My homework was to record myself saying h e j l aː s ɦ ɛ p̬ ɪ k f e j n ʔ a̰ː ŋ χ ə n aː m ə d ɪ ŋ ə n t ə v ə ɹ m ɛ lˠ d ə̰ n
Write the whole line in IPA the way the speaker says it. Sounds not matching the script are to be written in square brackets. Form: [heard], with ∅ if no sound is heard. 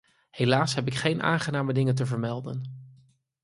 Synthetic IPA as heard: h e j l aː s ɦ ɛ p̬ ɪ k [χ] e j n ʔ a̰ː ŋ χ ə n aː m ə d ɪ ŋ ə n t ə v ə ɹ m ɛ lˠ d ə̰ n